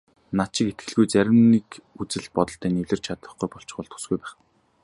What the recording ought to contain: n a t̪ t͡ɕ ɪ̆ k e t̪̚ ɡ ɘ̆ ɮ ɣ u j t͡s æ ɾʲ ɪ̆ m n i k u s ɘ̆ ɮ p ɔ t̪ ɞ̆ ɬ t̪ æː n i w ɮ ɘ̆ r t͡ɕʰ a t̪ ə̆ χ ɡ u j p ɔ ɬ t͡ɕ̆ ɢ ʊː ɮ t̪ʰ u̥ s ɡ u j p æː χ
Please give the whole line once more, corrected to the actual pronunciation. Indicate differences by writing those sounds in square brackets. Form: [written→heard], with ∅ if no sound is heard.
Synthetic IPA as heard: n a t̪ t͡ɕ ɪ̆ k e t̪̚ ɡ ɘ̆ ɮ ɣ u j t͡s æ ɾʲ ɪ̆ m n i k u [s→t͡s] ɘ̆ ɮ p ɔ t̪ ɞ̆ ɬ t̪ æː n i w ɮ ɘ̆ r t͡ɕʰ a t̪ ə̆ χ ɡ u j p ɔ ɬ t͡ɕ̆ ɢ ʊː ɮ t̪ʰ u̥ s ɡ u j p æː χ